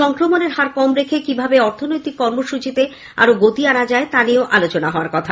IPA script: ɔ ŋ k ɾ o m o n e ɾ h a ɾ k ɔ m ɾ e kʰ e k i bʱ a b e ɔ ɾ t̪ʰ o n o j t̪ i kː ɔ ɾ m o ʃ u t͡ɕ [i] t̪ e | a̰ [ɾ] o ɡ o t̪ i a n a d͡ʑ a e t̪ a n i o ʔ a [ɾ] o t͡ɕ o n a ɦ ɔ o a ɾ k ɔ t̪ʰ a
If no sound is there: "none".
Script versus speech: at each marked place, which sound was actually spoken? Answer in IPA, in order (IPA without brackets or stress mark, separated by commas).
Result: i, ɾ, l